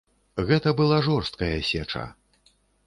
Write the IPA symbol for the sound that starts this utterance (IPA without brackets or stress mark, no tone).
ɣ